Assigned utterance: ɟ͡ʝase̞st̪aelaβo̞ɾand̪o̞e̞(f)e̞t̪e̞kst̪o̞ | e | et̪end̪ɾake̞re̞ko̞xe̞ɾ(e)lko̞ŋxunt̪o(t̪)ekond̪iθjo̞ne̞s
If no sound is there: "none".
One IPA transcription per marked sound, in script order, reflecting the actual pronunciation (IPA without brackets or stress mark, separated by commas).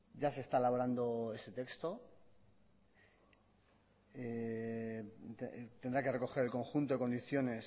s, e, none